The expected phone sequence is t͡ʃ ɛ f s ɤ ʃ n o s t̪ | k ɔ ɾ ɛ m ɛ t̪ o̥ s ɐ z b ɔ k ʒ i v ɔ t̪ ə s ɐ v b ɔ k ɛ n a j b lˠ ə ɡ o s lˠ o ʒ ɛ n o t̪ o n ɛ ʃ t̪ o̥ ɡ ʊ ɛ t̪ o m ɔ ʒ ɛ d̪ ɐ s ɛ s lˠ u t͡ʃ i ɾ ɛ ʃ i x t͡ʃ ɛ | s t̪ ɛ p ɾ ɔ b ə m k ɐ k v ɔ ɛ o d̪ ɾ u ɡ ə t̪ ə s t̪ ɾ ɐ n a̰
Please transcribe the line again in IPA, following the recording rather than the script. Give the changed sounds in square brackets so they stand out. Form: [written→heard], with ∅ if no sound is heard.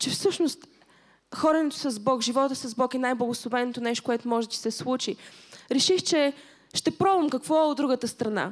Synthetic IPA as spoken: t͡ʃ ɛ f s ɤ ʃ n o s t̪ | [k→x] ɔ ɾ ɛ [m→n] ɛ t̪ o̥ s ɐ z b ɔ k ʒ i v ɔ t̪ ə s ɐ [v→z] b ɔ k ɛ n a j b lˠ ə ɡ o s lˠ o [ʒ→v] ɛ n o t̪ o n ɛ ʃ t̪ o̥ [ɡ→k] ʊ ɛ t̪ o m ɔ ʒ ɛ d̪ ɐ s ɛ s lˠ u t͡ʃ i ɾ ɛ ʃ i x t͡ʃ ɛ | [s→ʃ] t̪ ɛ p ɾ ɔ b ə m k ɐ k v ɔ ɛ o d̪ ɾ u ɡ ə t̪ ə s t̪ ɾ ɐ n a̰